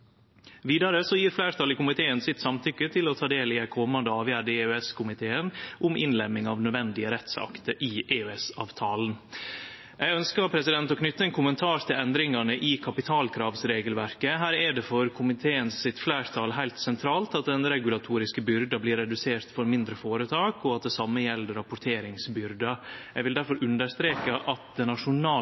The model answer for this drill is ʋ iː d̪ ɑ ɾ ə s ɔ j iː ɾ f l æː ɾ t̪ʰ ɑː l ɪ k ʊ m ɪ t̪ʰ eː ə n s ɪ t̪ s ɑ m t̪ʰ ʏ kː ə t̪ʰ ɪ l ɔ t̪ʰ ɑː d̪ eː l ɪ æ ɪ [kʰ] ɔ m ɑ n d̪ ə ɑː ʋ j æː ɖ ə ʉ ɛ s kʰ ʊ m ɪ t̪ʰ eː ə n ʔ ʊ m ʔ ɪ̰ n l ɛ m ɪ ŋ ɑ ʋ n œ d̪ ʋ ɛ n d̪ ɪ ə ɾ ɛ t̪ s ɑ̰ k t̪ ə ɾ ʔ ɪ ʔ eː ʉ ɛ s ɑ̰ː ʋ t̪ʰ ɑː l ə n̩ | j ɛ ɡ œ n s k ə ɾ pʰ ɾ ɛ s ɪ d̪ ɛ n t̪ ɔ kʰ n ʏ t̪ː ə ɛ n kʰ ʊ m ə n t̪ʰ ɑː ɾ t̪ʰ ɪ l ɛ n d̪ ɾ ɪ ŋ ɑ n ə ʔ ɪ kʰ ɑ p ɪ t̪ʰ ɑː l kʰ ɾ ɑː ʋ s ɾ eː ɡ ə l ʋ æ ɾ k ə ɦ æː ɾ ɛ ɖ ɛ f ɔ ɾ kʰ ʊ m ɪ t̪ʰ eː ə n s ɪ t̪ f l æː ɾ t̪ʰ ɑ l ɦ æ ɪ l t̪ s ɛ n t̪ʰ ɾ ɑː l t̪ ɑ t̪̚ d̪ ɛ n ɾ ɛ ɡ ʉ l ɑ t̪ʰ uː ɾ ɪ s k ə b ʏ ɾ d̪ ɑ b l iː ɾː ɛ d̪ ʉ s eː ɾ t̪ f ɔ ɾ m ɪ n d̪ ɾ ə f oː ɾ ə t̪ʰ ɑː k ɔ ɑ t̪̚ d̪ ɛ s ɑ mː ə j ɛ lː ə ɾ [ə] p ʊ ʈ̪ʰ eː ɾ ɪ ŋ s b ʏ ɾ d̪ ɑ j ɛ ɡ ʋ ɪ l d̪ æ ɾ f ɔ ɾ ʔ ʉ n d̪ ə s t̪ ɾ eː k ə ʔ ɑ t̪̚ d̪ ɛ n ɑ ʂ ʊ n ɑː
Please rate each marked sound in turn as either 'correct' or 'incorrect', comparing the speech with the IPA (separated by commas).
correct, incorrect